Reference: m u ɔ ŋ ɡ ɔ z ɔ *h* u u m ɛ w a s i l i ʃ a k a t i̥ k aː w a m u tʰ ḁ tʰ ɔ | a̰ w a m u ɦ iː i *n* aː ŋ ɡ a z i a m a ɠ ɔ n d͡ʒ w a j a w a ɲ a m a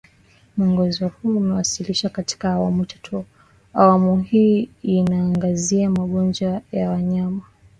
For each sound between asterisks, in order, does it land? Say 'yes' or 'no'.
yes, yes

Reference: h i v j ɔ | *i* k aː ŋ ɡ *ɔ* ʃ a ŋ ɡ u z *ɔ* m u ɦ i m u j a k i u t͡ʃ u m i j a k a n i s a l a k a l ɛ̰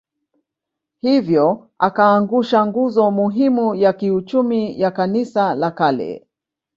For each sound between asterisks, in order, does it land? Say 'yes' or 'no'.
no, no, yes

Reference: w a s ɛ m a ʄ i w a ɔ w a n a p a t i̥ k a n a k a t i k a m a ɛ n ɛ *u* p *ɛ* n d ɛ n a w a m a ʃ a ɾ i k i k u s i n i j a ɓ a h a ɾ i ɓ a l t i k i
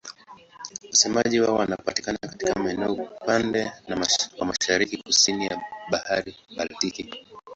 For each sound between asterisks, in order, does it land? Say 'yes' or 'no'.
no, no

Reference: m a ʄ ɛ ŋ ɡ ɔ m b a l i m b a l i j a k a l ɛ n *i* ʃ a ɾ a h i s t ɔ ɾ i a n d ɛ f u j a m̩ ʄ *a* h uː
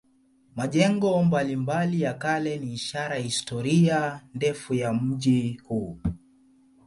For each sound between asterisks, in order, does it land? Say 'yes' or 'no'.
no, no

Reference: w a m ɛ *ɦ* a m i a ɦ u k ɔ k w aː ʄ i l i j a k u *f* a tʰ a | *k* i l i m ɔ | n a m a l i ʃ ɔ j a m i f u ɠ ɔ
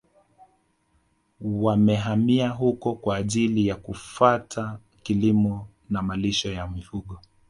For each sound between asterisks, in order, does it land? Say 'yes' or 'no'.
yes, yes, yes

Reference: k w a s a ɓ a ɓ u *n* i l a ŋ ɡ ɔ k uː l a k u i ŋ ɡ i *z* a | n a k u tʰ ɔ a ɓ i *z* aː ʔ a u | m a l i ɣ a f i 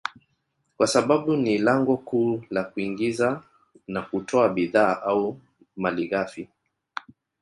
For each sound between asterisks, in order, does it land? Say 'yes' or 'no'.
yes, yes, no

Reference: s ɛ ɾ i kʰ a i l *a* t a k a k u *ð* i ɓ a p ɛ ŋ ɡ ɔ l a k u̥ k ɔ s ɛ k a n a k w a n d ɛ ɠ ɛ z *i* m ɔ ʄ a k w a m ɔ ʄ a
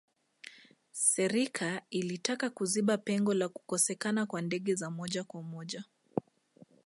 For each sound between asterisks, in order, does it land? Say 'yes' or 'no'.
no, no, no

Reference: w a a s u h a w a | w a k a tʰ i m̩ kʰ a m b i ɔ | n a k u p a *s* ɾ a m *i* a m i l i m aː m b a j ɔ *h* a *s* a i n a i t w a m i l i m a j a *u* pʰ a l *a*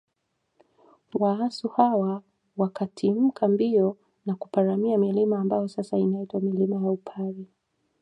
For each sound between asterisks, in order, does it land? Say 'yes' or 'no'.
no, yes, no, yes, yes, no

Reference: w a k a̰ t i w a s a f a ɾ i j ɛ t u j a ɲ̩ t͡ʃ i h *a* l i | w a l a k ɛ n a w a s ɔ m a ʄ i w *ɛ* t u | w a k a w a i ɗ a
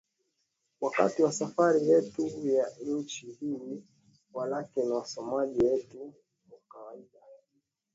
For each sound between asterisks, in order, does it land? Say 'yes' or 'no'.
no, yes

